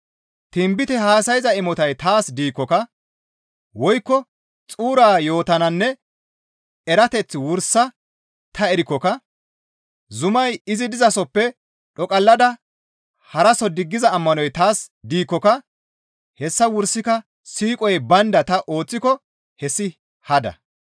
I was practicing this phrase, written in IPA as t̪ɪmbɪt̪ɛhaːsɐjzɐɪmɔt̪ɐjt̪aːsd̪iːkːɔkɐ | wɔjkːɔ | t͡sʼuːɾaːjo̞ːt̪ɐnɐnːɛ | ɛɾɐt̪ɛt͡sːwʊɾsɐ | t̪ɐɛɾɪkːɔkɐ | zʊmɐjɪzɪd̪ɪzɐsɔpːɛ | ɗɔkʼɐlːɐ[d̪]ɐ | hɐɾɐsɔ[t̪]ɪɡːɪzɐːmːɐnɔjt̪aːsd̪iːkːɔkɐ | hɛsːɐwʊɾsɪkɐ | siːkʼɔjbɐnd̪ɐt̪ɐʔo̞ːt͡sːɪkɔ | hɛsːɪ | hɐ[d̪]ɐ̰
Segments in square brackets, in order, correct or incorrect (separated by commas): correct, incorrect, correct